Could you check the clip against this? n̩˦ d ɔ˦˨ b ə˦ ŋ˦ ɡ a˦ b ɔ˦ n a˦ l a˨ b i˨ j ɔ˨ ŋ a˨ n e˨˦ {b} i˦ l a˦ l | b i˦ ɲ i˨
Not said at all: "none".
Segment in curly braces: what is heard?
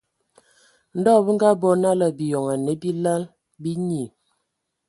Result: b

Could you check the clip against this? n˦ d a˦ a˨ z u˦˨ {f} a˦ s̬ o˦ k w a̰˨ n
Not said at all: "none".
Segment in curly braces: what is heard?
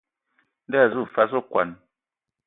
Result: f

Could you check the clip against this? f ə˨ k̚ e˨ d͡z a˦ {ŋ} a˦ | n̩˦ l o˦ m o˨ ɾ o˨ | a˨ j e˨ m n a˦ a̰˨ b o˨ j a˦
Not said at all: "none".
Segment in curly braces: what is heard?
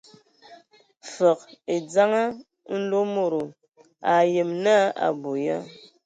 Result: ŋ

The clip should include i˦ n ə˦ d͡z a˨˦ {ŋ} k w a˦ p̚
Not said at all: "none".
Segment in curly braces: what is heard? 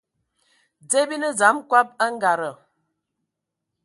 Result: m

